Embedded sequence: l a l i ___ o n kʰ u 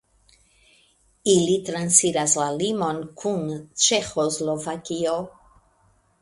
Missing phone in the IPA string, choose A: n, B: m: B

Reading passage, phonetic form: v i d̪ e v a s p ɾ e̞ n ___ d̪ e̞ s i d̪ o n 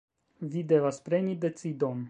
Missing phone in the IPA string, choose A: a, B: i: B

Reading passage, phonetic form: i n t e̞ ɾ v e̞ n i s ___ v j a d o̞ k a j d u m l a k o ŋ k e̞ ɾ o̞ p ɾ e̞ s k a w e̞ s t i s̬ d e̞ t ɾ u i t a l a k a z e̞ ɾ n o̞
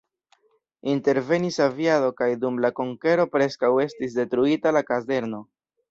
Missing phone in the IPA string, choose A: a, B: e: A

